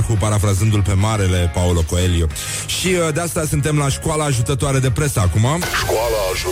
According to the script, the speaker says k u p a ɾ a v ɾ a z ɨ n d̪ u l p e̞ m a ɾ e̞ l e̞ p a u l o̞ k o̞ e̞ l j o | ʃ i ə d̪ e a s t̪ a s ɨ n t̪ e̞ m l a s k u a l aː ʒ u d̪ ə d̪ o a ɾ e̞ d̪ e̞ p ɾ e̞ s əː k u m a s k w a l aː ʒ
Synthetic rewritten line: k u p a ɾ a f ɾ a z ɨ n d̪ u l p e̞ m a ɾ e̞ l e̞ p a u l o̞ k o̞ e̞ l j o | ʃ i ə d̪ e a s t̪ a s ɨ n t̪ e̞ m l a ʃ k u a l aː ʒ u t̪ ə t̪ o a ɾ e̞ d̪ e̞ p ɾ e̞ s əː k u m a ʃ k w a l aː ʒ